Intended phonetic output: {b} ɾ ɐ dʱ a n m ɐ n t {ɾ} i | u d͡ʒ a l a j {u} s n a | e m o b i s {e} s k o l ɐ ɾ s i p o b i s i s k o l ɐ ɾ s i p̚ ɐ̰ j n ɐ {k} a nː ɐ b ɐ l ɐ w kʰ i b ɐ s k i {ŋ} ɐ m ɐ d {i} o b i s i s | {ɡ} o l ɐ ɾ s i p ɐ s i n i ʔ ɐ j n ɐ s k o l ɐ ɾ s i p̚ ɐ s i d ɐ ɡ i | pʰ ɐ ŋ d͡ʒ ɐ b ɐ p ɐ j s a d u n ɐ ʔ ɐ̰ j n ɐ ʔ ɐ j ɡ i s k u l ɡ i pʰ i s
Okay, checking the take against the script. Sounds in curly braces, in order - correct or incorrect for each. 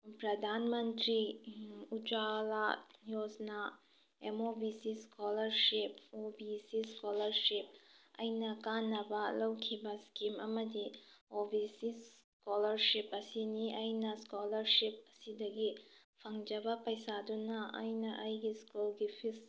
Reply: incorrect: p, correct, incorrect: o, incorrect: i, correct, incorrect: m, correct, incorrect: k

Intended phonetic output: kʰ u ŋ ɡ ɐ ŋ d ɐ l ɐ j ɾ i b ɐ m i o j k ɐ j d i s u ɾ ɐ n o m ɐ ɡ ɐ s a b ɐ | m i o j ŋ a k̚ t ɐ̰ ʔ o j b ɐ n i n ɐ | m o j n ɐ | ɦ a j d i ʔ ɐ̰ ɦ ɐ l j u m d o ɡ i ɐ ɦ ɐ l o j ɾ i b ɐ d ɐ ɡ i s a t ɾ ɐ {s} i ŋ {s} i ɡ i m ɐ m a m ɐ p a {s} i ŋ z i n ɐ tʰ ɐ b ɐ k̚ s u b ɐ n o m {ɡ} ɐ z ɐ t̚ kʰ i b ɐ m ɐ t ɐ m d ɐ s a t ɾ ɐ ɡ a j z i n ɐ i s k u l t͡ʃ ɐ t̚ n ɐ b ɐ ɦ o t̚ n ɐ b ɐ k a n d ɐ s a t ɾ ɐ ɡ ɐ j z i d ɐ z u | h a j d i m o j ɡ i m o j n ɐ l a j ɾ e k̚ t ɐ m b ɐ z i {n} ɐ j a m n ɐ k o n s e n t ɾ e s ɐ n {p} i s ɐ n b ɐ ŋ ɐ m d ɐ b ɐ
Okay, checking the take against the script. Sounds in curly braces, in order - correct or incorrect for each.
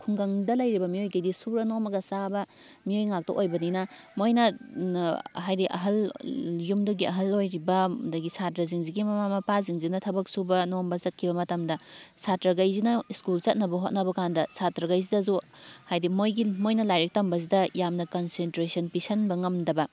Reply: incorrect: z, incorrect: z, incorrect: z, incorrect: b, incorrect: d, correct

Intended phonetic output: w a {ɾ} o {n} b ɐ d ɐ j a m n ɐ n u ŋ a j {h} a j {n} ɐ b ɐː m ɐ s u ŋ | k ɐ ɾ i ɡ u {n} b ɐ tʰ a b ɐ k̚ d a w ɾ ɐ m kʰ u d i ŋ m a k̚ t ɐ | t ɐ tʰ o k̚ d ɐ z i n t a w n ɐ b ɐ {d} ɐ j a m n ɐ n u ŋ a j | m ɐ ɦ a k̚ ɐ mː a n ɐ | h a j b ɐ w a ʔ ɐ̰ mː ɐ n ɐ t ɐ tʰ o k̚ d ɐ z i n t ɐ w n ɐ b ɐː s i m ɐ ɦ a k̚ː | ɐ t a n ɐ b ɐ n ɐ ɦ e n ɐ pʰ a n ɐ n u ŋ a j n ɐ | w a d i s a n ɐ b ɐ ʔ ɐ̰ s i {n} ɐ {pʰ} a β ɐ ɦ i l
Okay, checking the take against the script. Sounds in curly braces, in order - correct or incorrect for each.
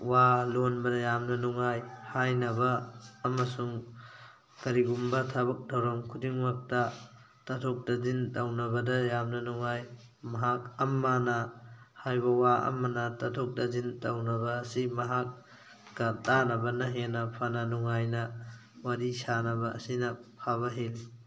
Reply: incorrect: l, correct, correct, correct, incorrect: m, correct, correct, correct

